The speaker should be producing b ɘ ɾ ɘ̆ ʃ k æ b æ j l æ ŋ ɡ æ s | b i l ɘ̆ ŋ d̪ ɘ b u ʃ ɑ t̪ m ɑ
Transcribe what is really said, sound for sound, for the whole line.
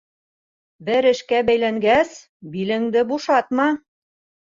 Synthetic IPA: b ɘ ɾ ɘ̆ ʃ k æ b æ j l æ ŋ ɡ æ s | b i l ɘ̆ ŋ d̪ ɘ b u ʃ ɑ t̪ m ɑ